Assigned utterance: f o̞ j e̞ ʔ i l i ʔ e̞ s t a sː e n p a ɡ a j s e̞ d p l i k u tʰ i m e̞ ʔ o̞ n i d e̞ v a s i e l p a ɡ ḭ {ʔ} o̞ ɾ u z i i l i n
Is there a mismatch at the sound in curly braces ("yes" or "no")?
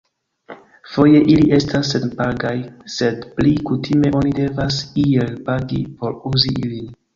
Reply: yes